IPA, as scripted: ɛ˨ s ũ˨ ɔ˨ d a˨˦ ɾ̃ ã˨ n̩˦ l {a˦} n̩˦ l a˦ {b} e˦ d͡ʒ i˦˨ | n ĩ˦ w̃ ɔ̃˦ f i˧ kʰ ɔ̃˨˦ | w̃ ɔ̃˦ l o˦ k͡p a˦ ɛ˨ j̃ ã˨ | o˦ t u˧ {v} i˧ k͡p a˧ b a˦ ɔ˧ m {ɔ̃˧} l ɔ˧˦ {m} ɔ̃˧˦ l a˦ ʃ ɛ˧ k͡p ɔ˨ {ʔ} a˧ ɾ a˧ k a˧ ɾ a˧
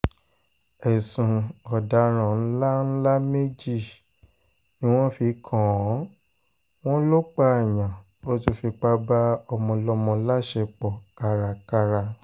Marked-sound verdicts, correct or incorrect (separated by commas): correct, incorrect, incorrect, correct, correct, incorrect